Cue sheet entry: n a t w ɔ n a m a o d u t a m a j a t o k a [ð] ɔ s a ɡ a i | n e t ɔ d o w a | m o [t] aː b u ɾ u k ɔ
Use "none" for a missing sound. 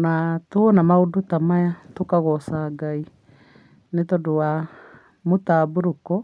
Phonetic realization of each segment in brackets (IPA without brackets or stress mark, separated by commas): ɣ, t